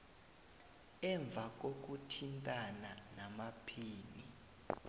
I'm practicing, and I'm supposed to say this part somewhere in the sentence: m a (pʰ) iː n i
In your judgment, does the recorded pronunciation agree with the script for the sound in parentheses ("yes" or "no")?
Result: yes